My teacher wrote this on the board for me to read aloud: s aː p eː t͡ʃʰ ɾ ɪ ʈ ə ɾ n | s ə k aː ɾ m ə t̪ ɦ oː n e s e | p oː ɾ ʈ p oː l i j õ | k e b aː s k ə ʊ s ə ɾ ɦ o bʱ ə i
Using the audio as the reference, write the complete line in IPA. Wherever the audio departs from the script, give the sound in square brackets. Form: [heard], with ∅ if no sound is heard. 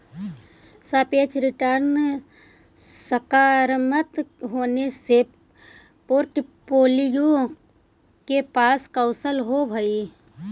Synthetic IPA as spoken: s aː p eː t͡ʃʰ ɾ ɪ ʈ ə ɾ n | s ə k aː ɾ m ə t̪ ɦ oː n e s e | p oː ɾ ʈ p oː l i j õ | k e [p] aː s k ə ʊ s ə [l] ɦ o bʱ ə i